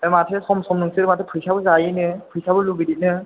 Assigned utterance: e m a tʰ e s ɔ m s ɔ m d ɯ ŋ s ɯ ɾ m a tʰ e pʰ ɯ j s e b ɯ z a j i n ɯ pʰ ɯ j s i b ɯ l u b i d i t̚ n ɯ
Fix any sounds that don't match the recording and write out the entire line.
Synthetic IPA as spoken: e m a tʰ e s ɔ m s ɔ m n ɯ ŋ s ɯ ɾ m a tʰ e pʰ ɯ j s a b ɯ z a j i n ɯ pʰ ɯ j s a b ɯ l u b i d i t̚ n ɯ